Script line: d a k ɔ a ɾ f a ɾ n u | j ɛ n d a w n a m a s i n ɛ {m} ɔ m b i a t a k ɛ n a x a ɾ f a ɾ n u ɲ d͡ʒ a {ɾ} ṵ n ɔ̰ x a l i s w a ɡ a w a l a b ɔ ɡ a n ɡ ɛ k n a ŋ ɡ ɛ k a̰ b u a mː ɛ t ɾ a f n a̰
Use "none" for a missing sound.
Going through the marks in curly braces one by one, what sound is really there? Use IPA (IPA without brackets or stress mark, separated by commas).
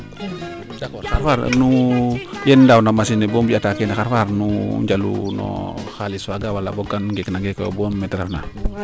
b, l